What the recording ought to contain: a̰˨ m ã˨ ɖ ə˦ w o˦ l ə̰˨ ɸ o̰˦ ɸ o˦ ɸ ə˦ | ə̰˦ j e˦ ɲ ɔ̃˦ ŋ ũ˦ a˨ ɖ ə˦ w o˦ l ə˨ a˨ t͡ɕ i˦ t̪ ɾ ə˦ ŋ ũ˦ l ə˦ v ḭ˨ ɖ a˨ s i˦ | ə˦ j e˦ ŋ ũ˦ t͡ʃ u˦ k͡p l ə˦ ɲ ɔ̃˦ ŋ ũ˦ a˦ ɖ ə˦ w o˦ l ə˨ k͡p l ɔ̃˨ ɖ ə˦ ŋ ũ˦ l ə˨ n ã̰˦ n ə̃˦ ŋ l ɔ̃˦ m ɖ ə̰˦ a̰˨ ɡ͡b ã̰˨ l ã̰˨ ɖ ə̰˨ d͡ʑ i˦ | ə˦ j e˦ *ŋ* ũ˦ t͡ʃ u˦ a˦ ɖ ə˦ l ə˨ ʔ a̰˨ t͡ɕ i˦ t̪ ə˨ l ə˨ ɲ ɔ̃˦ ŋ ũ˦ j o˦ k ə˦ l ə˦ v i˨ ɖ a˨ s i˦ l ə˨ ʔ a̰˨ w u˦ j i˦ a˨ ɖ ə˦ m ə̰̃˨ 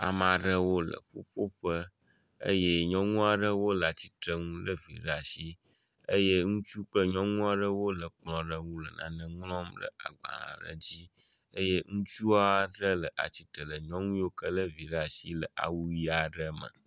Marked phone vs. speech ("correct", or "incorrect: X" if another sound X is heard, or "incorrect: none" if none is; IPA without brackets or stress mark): correct